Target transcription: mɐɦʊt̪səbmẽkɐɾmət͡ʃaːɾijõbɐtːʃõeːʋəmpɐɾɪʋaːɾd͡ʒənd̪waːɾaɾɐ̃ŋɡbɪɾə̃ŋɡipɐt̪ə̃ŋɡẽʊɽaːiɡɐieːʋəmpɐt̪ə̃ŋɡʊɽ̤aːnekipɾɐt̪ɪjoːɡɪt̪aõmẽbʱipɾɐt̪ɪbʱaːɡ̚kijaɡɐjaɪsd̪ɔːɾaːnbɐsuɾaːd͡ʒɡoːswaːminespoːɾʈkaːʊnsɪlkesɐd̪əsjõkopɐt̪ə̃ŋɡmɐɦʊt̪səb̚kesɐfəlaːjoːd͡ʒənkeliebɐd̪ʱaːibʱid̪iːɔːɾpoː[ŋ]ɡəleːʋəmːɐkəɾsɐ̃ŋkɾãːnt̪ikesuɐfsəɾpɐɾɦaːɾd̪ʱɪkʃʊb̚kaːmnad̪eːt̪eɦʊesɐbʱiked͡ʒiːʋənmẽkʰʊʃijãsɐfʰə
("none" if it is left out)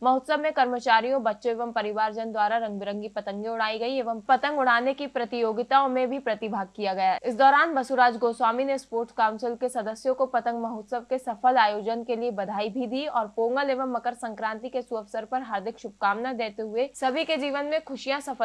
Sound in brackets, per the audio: ŋ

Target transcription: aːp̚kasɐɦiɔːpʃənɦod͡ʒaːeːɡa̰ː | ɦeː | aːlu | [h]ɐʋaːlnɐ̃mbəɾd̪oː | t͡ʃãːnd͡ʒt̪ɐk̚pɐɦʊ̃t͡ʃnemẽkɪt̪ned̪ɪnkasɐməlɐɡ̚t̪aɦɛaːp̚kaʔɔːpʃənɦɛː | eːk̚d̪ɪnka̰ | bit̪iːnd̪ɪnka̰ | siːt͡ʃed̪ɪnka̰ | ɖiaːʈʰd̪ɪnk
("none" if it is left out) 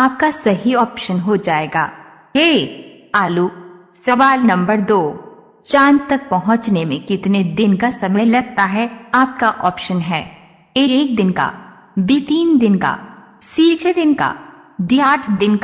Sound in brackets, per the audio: s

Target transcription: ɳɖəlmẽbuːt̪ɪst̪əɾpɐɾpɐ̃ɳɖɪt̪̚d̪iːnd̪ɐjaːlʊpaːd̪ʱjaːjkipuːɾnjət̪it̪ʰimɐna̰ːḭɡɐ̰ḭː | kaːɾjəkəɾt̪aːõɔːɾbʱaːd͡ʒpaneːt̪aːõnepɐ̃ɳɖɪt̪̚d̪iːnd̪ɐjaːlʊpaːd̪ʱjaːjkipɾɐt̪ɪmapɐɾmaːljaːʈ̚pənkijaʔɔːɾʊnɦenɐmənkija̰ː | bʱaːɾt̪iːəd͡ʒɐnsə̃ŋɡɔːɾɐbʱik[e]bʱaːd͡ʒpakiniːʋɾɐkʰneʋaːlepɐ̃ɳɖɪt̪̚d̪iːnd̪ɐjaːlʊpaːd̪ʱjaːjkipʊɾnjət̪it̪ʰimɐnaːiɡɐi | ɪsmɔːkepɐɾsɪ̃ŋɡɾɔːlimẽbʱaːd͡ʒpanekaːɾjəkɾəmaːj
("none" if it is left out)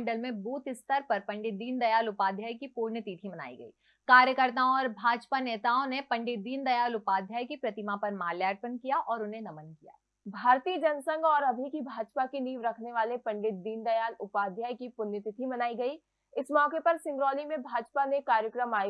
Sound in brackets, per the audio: i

